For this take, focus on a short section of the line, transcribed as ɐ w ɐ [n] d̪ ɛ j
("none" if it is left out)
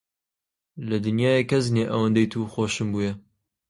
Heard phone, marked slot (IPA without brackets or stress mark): n